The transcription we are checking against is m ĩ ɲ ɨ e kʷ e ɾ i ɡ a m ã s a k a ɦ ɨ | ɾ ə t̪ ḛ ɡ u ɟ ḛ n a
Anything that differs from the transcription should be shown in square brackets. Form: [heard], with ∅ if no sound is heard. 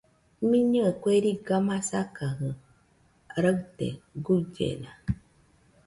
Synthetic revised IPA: m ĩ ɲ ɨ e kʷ e ɾ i ɡ a m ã s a k a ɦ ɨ | ɾ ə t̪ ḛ ɡ u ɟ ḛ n a